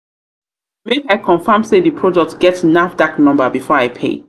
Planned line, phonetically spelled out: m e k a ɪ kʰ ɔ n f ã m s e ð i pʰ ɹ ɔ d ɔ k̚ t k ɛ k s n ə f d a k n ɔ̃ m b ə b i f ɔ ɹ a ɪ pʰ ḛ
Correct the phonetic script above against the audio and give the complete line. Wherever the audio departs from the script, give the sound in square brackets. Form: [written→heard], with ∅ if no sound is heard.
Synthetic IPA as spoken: m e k a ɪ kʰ [ɔ→ɔ̃] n f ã m s e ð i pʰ ɹ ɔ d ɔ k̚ t [k→ɡ] ɛ [k→t] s n [ə→a] f d a k n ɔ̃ m b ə b i f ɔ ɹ a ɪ pʰ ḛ